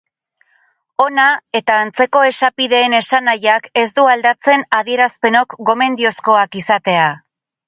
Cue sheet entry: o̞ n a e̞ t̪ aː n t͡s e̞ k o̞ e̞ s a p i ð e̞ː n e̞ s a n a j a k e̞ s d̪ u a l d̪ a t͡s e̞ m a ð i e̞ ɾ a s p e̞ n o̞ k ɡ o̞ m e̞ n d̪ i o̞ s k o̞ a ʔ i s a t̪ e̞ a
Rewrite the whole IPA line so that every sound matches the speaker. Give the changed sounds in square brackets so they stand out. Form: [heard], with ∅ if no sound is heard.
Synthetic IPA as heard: o̞ n a e̞ t̪ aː n t͡s e̞ k o̞ e̞ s a p i ð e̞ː n e̞ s a n a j a k e̞ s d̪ u a l d̪ a t͡s e̞ [n] a ð i e̞ ɾ a s p e̞ n o̞ k ɡ o̞ m e̞ n d̪ i o̞ s k o̞ a [k] i s a t̪ e̞ a

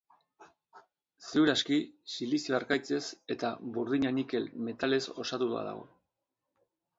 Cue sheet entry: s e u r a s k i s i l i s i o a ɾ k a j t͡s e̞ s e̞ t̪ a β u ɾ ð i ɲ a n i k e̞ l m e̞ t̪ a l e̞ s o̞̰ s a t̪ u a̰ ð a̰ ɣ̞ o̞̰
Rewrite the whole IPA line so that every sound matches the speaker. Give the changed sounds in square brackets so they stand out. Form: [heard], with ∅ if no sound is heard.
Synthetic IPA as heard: s e u [ɾ] a s k i s i l i s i o a ɾ k a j t͡s e̞ s e̞ t̪ a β u ɾ ð i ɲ a n i k e̞ l m e̞ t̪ a l e̞ s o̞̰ s a t̪ u a̰ ð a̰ ɣ̞ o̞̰

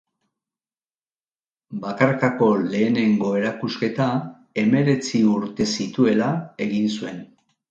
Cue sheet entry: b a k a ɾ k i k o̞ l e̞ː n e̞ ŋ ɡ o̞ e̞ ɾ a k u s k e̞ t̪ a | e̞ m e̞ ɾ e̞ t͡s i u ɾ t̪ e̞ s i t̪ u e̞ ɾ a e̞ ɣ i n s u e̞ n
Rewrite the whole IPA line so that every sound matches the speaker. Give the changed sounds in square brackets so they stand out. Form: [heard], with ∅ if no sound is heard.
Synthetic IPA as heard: b a k a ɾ k [a] k o̞ l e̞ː n e̞ ŋ ɡ o̞ e̞ ɾ a k u s k e̞ t̪ a | e̞ m e̞ ɾ e̞ t͡s i u ɾ t̪ e̞ s i t̪ u e̞ [l] a e̞ ɣ i n s u e̞ n

